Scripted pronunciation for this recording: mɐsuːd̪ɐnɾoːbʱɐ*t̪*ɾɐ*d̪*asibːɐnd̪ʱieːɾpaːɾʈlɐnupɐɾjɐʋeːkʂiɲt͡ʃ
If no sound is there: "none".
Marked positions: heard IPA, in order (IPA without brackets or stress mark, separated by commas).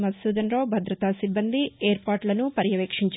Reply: d̪, t̪